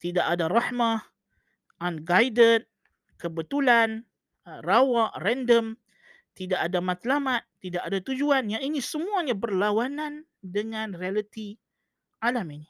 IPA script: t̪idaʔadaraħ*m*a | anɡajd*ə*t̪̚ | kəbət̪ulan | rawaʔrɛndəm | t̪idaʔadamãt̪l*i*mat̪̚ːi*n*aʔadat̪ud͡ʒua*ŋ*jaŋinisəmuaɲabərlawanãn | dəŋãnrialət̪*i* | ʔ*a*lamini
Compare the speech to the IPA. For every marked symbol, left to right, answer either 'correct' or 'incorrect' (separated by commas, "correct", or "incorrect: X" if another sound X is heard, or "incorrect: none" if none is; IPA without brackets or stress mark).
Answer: correct, correct, incorrect: a, incorrect: d, incorrect: n, correct, correct